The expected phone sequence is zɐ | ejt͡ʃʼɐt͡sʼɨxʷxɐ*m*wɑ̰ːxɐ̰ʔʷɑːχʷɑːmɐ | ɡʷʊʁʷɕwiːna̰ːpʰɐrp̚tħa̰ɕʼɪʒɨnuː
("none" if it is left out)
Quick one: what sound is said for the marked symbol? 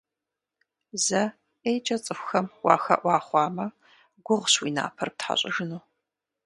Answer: m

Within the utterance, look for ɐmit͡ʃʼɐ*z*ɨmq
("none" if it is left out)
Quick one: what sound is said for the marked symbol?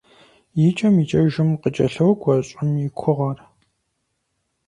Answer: ʒ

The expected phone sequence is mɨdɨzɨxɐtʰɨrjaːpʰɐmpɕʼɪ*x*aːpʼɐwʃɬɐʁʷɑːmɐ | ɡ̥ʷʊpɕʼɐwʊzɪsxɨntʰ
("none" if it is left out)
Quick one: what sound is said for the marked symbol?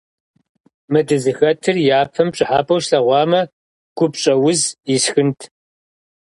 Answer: ħ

